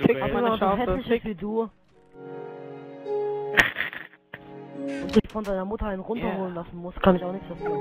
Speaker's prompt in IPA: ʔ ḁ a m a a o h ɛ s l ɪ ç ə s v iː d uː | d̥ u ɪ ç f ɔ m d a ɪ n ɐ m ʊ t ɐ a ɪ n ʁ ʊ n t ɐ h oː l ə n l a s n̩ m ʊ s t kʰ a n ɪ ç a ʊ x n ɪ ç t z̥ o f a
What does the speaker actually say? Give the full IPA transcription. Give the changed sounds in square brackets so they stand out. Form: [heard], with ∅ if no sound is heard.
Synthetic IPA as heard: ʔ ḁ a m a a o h ɛ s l ɪ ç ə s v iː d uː | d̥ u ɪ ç f ɔ [n] d a ɪ n ɐ m ʊ t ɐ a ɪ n ʁ ʊ n t ɐ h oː l ə n l a s n̩ m ʊ s t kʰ a n ɪ ç a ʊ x n ɪ ç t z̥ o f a